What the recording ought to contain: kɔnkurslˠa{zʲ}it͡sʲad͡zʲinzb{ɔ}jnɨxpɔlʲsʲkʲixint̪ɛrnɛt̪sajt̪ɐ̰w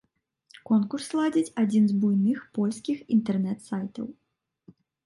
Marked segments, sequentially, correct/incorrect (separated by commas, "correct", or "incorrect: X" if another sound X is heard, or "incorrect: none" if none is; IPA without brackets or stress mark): incorrect: d͡zʲ, incorrect: u